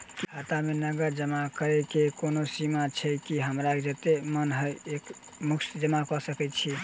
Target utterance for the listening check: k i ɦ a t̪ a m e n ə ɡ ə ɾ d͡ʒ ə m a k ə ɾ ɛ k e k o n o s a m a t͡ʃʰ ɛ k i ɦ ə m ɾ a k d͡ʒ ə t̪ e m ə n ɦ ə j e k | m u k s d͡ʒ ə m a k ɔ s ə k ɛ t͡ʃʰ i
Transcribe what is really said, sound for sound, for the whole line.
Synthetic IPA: k i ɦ a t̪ a m e n ə ɡ ə ɾ d͡ʒ ə m a k ə ɾ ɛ k e k o n o s i m a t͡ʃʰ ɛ k i ɦ ə m ɾ a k d͡ʒ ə t̪ e m ə n ɦ ə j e k | m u k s d͡ʒ ə m a k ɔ s ə k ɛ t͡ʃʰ i